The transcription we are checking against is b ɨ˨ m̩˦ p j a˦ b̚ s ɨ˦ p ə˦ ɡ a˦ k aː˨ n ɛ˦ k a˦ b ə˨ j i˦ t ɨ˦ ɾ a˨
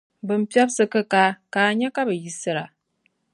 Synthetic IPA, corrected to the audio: b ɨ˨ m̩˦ p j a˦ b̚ s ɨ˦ k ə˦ k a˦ k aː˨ ɲ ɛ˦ k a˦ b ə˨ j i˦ s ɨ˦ ɾ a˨